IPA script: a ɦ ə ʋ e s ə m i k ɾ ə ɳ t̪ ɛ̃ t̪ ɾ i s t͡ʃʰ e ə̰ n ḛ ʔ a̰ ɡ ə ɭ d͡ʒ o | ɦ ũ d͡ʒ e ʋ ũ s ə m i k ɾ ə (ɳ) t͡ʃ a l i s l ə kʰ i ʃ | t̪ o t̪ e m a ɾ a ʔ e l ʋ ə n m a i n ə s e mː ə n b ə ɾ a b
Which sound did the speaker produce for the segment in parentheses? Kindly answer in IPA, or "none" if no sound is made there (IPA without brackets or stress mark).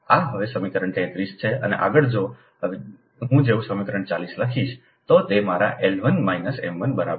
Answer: ɳ